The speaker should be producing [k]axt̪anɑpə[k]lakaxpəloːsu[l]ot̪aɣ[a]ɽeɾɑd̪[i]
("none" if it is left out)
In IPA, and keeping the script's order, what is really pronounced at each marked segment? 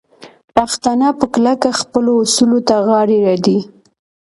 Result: p, k, l, ɑ, i

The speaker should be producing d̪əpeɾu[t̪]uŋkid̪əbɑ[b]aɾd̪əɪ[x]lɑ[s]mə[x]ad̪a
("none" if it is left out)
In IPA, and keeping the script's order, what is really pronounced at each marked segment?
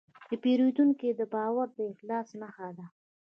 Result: d̪, w, x, s, x

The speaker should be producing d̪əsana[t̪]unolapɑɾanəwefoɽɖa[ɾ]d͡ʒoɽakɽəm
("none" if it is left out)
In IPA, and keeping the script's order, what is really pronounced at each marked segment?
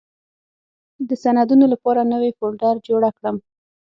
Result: d̪, ɾ

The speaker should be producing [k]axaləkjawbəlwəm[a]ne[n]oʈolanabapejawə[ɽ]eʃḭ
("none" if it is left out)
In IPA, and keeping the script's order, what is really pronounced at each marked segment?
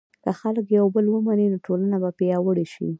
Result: k, a, n, ɽ

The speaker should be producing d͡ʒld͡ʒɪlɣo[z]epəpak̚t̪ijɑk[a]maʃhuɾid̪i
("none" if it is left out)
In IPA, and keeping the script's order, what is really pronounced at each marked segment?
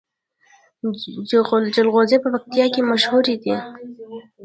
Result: z, e

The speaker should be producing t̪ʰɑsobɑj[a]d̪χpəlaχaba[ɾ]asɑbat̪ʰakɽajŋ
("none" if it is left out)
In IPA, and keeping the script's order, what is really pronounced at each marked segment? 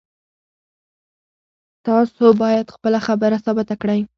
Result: a, ɾ

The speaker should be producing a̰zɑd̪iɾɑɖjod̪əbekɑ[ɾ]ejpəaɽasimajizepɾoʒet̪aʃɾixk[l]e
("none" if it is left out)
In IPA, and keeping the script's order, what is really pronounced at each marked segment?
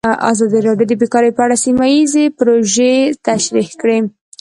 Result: ɾ, ɽ

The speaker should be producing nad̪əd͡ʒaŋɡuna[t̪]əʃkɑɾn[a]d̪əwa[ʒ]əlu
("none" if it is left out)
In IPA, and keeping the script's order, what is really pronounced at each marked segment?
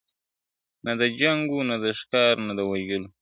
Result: d̪, a, ʒ

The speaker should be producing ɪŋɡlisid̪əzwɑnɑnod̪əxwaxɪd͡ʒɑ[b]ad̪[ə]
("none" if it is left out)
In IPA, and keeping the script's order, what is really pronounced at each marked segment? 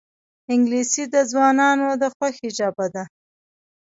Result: b, a

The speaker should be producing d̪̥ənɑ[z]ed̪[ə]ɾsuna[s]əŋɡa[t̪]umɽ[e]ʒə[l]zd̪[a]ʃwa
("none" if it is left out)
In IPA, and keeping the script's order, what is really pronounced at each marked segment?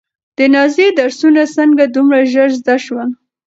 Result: z, a, s, d̪, a, ɾ, a

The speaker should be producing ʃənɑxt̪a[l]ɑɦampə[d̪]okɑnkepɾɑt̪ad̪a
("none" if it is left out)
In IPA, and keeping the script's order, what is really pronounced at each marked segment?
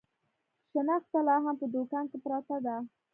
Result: l, d̪

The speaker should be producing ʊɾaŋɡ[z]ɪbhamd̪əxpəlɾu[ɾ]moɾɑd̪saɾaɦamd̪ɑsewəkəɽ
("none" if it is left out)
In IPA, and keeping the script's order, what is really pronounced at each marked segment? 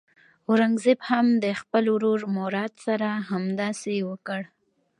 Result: z, ɾ

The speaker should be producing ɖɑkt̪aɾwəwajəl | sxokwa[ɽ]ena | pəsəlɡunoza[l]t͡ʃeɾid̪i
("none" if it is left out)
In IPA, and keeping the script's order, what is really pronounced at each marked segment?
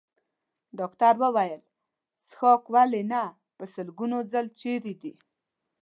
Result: l, l

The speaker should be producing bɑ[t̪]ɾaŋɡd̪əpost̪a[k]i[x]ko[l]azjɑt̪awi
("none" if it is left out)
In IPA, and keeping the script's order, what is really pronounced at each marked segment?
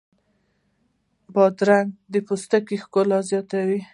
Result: d̪, k, x, l

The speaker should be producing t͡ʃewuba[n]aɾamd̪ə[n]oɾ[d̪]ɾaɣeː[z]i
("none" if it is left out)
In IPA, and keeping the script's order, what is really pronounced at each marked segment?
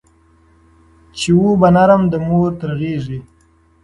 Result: n, m, t̪, ʐ

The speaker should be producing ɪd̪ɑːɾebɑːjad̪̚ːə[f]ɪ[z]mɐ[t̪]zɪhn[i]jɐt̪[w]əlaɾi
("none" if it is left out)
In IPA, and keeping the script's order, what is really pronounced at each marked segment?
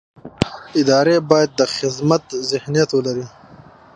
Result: x, z, t̪, i, w

